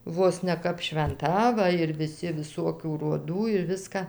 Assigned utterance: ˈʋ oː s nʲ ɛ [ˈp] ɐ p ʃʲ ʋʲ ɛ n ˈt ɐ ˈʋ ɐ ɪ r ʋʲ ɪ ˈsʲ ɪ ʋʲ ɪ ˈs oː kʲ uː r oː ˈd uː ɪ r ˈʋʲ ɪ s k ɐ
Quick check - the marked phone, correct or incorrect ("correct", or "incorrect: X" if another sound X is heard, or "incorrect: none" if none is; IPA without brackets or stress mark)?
incorrect: k